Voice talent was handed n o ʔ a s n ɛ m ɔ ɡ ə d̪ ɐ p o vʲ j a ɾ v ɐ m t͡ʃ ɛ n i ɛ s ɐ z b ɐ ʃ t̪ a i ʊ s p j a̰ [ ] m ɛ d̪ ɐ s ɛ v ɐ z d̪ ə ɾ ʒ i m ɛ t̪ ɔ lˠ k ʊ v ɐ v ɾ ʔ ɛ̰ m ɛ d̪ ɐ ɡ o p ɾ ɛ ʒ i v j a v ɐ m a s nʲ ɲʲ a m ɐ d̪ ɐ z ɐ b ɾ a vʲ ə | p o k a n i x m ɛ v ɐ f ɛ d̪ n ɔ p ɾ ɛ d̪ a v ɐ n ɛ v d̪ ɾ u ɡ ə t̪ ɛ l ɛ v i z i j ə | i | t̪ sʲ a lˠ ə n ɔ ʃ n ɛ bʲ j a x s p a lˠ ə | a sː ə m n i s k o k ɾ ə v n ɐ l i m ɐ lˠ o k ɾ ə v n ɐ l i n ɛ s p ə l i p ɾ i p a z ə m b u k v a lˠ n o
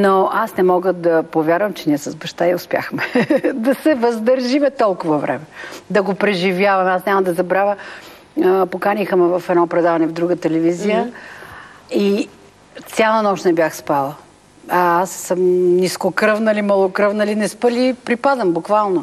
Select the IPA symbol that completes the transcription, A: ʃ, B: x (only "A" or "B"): B